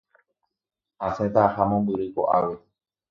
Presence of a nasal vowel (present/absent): present